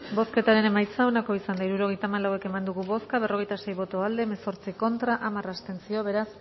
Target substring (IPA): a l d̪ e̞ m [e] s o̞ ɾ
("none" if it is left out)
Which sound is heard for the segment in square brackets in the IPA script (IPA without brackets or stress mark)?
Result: e